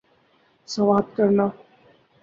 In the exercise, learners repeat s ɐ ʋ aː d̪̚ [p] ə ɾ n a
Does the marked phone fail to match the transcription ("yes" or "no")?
yes